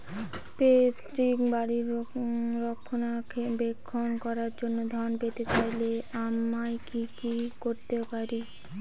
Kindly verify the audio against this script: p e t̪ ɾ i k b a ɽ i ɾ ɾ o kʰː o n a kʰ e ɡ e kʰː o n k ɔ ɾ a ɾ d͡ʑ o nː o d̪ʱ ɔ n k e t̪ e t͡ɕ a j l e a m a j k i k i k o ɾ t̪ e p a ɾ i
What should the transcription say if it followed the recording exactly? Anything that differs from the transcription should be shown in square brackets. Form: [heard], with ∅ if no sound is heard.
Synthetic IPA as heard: p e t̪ ɾ i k b a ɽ i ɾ ɾ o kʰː o n a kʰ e [b] e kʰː o n k ɔ ɾ a ɾ d͡ʑ o nː o d̪ʱ ɔ n [p] e t̪ e t͡ɕ a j l e a m a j k i k i k o ɾ t̪ e p a ɾ i

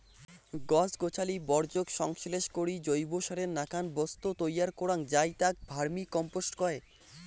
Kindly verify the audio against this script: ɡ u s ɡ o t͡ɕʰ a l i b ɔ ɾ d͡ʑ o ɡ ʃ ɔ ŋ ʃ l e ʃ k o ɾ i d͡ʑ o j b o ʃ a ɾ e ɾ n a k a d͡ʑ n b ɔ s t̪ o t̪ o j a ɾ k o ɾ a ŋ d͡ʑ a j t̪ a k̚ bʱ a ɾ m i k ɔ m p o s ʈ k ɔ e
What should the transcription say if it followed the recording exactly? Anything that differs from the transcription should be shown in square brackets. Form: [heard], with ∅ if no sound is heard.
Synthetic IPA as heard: ɡ [ɔ] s ɡ o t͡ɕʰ a l i b ɔ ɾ d͡ʑ o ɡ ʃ ɔ ŋ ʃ l e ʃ k o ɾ i d͡ʑ o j b o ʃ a ɾ e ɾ n a k a [∅] n b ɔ s t̪ o t̪ o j a ɾ k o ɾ a ŋ d͡ʑ a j t̪ a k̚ bʱ a ɾ m i k ɔ m p o s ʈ k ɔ e

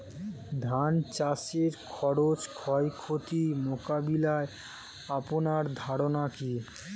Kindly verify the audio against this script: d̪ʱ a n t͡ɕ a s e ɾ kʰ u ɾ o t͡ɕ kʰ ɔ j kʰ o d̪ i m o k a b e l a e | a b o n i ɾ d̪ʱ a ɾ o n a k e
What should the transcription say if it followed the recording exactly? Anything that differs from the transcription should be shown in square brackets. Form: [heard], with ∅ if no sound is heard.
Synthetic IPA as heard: d̪ʱ a n t͡ɕ a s e ɾ kʰ [ɔ] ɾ o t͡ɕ kʰ ɔ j kʰ o [t̪] i m o k a b [i] l a e | a [p] o n [a] ɾ d̪ʱ a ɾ o n a k [i]

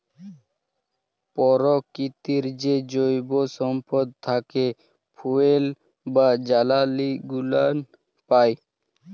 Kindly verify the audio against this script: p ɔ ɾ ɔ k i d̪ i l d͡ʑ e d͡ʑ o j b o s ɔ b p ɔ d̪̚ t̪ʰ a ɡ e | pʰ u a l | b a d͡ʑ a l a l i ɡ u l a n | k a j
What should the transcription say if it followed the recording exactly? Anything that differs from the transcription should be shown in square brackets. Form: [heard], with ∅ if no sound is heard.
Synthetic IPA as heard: p ɔ ɾ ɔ k i [t̪] i [ɾ] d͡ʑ e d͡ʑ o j b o s ɔ [m] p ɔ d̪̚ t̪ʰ a [k] e | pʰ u [e] l | b a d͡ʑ a l a l i ɡ u l a n | [p] a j

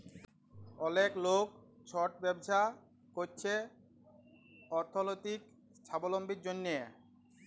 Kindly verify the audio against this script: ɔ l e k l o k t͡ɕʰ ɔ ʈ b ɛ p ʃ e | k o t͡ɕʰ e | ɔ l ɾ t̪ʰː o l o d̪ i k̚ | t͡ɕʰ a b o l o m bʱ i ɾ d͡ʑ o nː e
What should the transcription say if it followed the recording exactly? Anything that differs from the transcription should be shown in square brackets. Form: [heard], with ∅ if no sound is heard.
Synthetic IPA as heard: ɔ l e k l o k t͡ɕʰ ɔ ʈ b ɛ [b] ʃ [a] | k o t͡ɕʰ e | ɔ [∅] ɾ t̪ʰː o l o [t̪] i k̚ | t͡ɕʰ a b o l o m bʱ i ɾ d͡ʑ o nː e

